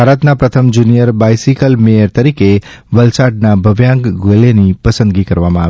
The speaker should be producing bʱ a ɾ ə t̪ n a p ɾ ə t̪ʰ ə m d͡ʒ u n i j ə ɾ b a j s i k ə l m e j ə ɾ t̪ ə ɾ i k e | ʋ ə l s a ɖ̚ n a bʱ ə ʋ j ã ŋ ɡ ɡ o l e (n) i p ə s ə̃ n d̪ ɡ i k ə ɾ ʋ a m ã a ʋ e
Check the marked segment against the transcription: correct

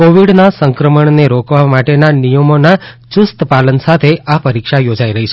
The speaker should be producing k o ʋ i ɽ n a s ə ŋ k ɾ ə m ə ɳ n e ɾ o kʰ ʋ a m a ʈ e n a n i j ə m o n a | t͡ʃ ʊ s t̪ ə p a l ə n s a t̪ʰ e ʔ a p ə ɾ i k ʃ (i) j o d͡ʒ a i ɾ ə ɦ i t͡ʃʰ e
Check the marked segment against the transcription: incorrect: a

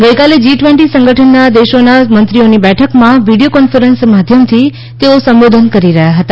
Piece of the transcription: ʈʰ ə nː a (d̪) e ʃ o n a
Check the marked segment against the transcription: correct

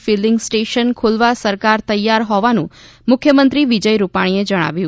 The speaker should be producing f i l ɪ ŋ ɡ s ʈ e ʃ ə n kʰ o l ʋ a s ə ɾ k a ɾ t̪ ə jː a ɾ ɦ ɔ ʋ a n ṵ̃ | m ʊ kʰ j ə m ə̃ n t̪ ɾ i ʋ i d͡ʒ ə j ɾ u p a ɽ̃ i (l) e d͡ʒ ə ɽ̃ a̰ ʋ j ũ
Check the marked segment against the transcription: incorrect: none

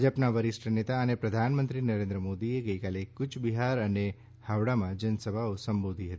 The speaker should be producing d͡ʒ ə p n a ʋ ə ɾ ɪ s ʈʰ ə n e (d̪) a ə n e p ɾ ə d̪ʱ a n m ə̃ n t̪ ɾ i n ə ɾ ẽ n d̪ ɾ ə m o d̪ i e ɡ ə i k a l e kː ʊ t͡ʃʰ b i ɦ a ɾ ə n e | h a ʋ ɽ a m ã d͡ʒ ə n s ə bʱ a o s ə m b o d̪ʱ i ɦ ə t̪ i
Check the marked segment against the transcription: incorrect: t̪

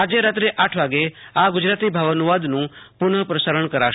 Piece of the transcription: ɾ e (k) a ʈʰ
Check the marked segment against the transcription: incorrect: ʔ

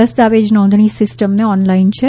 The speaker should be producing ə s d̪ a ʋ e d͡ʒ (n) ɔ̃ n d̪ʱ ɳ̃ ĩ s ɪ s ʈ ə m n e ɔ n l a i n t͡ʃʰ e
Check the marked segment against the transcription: correct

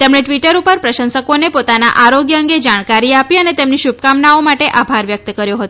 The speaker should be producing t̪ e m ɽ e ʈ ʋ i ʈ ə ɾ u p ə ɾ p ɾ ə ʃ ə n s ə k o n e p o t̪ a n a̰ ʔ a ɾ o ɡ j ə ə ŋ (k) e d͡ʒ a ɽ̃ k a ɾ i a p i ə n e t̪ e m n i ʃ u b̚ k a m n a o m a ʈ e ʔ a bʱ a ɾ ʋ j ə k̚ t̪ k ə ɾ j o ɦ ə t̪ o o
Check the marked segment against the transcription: incorrect: ɡ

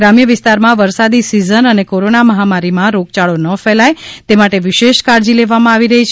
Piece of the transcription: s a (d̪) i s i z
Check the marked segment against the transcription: correct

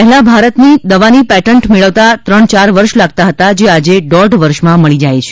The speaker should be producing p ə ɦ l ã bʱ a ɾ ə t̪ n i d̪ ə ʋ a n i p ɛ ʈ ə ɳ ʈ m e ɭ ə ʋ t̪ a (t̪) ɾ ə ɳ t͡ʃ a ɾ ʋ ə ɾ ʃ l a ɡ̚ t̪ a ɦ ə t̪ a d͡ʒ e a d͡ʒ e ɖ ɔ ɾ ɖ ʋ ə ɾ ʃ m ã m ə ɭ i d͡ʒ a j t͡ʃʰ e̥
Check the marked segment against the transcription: correct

